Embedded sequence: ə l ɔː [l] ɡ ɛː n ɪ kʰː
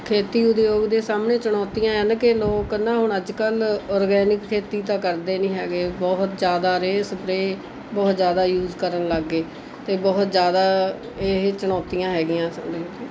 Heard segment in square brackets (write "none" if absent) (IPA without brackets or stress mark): ɾ